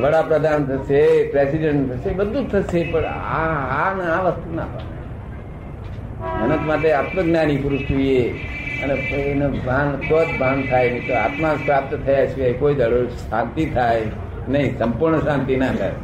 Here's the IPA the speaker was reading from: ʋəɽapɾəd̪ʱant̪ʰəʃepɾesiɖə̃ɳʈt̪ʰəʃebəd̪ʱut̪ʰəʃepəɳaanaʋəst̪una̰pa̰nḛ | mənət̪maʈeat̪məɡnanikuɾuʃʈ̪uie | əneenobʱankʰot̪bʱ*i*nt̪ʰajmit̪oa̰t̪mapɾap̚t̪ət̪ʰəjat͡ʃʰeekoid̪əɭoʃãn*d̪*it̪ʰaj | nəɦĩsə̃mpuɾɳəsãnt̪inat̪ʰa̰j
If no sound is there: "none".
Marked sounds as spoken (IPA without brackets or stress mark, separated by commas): a, t̪